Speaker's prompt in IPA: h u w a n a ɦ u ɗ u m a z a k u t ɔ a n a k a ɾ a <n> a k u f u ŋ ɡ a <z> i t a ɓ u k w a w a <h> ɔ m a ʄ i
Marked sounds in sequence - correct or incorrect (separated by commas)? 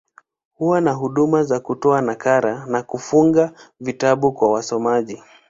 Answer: correct, incorrect, incorrect